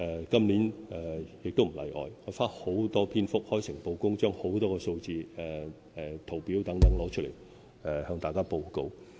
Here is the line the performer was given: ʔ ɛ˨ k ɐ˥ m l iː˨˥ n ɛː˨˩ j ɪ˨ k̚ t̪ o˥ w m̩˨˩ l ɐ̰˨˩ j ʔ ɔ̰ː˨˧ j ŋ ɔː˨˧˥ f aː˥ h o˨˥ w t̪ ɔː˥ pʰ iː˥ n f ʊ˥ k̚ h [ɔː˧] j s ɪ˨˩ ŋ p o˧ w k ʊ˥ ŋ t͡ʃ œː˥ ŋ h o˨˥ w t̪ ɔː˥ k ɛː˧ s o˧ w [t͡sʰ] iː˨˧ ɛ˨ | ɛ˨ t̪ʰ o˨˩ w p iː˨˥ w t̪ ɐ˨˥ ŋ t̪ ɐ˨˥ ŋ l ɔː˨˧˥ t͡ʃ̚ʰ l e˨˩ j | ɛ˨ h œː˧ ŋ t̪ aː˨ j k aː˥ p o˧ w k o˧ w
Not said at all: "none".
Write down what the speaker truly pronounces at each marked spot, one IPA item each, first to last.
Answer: ɔː˥, t͡s

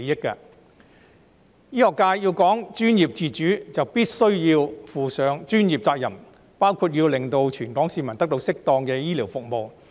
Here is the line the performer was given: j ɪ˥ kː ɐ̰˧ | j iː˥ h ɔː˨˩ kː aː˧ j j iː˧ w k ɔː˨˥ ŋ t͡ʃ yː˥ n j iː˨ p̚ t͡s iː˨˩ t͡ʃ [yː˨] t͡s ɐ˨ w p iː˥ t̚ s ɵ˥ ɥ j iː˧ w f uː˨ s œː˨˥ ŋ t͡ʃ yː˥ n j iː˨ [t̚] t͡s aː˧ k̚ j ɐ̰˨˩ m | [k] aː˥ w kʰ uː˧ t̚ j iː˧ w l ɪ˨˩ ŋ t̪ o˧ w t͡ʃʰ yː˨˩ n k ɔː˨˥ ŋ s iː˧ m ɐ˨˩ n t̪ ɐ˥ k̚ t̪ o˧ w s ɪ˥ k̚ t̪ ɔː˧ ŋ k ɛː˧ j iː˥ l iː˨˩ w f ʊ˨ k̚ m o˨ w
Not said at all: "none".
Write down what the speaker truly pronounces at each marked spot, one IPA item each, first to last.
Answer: yː˨˥, p̚, p

